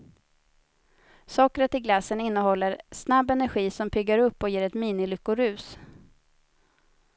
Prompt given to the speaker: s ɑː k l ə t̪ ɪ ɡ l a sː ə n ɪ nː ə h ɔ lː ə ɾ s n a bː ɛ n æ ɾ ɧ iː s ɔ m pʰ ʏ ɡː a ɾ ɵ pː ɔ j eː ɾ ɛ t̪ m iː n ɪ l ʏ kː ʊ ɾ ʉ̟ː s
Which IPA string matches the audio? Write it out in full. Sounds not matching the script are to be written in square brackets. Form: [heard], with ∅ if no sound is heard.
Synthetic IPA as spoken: s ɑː k [ɾ] ə t̪ ɪ ɡ l a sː ə n ɪ nː ə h ɔ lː ə ɾ s n a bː ɛ n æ ɾ ɧ iː s ɔ m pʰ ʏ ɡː a ɾ ɵ pː ɔ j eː ɾ ɛ t̪ m iː n ɪ l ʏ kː ʊ ɾ ʉ̟ː s